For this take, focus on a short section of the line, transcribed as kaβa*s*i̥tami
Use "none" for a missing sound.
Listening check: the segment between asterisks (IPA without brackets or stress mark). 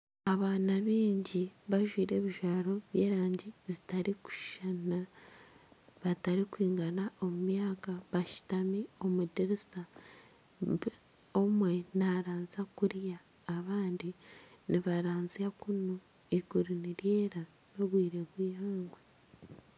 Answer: ʃ